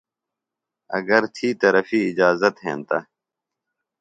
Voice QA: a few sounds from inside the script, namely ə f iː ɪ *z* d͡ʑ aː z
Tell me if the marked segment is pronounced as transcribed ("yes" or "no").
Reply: no